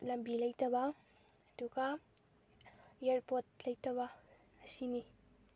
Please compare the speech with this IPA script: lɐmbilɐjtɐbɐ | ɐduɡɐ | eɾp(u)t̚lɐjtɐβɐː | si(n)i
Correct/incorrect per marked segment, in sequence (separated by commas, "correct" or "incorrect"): incorrect, correct